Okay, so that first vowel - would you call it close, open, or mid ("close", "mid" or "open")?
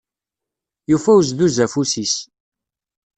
close